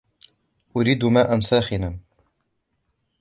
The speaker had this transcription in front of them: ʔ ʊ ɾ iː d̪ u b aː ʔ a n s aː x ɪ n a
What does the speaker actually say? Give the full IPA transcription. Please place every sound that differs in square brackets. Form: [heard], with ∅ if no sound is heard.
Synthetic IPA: ʔ ʊ ɾ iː d̪ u [m] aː ʔ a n s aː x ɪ n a